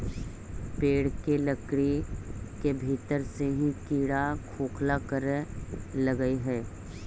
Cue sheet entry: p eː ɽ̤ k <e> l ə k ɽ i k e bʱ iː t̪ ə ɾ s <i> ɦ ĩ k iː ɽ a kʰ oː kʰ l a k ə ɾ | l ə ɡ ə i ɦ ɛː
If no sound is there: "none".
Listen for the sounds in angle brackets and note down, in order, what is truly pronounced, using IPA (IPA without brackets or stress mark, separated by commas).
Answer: e, e